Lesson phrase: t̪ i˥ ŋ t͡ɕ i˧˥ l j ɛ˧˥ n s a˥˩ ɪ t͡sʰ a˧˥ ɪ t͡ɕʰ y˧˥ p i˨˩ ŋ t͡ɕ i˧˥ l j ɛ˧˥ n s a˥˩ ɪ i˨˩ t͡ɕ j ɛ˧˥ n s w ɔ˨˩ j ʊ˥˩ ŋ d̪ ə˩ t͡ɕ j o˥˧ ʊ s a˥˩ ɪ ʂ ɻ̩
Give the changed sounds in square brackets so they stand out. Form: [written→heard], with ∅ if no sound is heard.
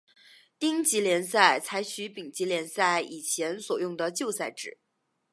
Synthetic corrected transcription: t̪ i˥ ŋ t͡ɕ i˧˥ l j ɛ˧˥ n s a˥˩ ɪ t͡sʰ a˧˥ ɪ t͡ɕʰ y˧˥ p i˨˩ ŋ t͡ɕ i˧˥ l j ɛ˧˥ n s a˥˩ ɪ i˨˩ [t͡ɕ→t͡ɕʰ] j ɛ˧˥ n s w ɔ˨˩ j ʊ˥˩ ŋ d̪ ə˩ t͡ɕ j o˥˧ ʊ s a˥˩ ɪ [ʂ→ʈ͡ʂ] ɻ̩